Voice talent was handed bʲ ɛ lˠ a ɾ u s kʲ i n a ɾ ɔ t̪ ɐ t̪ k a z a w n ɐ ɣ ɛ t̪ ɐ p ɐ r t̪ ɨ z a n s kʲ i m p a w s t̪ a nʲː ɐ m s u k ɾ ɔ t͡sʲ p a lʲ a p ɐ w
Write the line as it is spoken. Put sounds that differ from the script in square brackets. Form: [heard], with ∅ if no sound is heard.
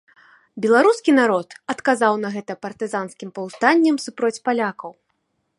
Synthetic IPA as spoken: bʲ ɛ lˠ a ɾ u s kʲ i n a ɾ ɔ t̪ ɐ t̪ k a z a w n ɐ ɣ ɛ t̪ ɐ p ɐ r t̪ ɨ z a n s kʲ i m p [ɐ] w s t̪ a nʲː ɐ m s u [p] ɾ ɔ t͡sʲ p a lʲ a [k] ɐ w